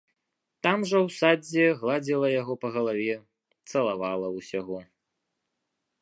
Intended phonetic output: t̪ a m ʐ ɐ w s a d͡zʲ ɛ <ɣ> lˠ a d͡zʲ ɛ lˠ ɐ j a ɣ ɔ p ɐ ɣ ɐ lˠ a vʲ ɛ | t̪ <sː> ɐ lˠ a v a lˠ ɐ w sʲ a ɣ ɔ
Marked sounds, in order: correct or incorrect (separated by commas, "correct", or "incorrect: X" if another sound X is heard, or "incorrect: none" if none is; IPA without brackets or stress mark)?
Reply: correct, incorrect: s